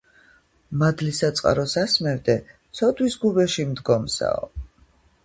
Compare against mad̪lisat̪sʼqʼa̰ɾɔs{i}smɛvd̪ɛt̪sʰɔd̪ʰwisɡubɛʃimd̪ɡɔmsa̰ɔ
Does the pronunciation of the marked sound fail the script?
yes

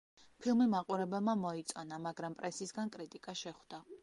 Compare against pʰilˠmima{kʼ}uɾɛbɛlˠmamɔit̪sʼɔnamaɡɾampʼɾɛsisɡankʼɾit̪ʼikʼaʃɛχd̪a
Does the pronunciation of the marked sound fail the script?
yes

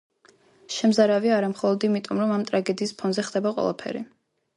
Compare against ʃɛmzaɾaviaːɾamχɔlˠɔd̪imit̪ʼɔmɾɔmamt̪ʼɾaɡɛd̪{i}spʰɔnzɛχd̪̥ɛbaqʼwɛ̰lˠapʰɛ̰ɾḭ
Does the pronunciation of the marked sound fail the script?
yes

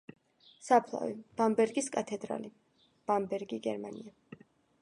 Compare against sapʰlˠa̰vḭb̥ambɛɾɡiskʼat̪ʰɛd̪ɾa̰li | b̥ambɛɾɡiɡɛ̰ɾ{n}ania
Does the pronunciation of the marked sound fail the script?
yes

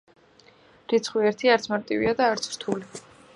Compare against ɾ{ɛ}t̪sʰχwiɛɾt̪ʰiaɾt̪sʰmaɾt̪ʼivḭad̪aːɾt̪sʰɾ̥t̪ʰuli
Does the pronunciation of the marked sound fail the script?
yes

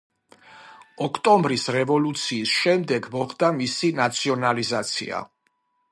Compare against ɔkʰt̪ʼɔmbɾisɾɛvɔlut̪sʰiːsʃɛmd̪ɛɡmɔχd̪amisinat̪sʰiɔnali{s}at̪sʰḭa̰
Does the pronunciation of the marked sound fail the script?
yes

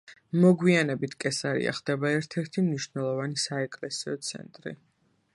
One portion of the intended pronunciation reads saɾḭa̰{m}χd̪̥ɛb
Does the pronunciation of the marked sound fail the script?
yes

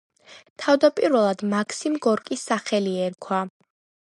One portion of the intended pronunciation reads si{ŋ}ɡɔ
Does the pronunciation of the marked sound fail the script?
yes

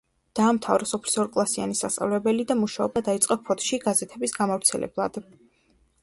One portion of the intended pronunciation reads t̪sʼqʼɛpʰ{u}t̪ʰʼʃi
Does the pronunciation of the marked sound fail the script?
yes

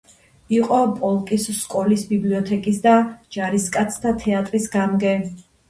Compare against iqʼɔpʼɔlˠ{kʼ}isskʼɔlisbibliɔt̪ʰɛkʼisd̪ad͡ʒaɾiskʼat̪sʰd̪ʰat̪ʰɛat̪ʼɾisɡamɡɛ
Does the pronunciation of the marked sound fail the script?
no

